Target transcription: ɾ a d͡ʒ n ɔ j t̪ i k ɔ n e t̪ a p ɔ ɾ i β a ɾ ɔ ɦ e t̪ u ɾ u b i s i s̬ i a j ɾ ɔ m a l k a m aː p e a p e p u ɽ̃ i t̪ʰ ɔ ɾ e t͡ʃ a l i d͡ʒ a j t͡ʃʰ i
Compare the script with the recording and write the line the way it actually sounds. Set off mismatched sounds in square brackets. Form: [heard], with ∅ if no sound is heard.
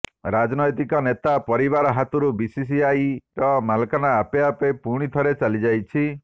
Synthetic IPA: ɾ a d͡ʒ n ɔ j t̪ i k ɔ n e t̪ a p ɔ ɾ i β a ɾ ɔ ɦ [a] t̪ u ɾ u b i s i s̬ i a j ɾ ɔ m a l k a [n] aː p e a p e p u ɽ̃ i t̪ʰ ɔ ɾ e t͡ʃ a l i d͡ʒ a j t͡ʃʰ i